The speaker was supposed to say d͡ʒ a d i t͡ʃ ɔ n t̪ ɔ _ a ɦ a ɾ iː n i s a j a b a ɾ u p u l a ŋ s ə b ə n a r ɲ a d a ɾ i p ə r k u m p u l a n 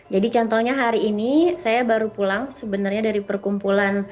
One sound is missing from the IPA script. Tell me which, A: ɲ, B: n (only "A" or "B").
A